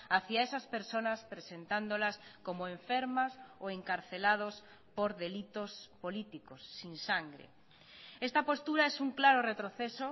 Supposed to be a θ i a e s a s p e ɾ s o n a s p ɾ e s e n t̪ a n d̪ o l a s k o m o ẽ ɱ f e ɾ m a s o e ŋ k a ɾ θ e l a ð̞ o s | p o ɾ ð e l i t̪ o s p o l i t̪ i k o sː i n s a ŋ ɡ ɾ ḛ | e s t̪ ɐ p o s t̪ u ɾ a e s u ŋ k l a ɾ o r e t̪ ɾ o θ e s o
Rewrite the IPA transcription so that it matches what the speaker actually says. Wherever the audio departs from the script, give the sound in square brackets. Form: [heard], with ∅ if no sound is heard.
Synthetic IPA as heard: a θ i a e s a s p e ɾ s o n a s p ɾ e s e n t̪ a n d̪ o l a s k o m o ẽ ɱ f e ɾ m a s o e ŋ k a ɾ θ e l a ð̞ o s | p o ɾ ð e l i t̪ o s p o l i t̪ i k o sː i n s a ŋ ɡ ɾ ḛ | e s t̪ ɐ p o s t̪ u ɾ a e s u ŋ k l a ɾ o r e t̪ ɾ o θ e s o